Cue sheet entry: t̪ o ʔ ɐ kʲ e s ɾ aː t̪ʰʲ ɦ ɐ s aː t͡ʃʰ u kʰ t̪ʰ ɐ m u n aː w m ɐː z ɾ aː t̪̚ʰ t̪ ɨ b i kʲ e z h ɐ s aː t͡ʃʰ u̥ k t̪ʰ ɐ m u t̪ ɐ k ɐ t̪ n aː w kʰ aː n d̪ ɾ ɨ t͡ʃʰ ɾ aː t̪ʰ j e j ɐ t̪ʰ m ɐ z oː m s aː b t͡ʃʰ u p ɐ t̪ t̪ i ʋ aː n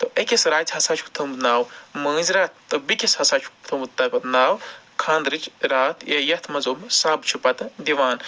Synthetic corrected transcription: t̪ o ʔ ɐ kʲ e s ɾ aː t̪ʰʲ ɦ ɐ s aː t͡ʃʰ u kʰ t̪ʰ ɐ m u n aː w m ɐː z ɾ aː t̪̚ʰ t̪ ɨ b i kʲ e s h ɐ s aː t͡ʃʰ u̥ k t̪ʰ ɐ m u t̪ ɐ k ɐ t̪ n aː w kʰ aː n d̪ ɾ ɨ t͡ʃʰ ɾ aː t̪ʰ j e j ɐ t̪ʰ m ɐ z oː m s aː b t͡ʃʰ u p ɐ t̪ d̪ i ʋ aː n